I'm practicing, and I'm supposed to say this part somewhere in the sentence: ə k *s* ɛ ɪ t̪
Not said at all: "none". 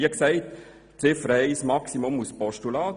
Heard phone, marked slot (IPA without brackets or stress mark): s